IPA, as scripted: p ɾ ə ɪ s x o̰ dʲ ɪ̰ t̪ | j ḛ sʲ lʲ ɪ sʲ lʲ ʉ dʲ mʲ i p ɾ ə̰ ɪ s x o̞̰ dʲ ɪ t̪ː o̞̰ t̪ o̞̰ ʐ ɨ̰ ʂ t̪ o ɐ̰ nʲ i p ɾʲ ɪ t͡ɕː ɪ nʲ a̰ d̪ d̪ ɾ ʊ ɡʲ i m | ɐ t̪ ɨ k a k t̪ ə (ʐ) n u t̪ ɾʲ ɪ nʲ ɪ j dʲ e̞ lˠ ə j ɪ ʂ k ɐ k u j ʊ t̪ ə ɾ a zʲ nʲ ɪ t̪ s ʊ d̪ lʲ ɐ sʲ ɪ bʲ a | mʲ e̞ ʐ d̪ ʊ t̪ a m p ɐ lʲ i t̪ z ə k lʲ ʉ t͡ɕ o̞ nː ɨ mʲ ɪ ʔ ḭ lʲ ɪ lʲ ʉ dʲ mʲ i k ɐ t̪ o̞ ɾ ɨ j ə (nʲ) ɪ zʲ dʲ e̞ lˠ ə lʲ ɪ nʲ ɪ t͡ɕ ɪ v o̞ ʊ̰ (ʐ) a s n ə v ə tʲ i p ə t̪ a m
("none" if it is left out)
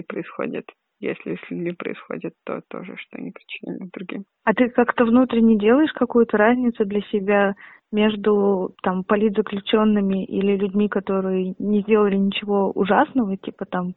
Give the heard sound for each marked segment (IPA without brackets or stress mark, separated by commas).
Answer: v, nʲ, ʐ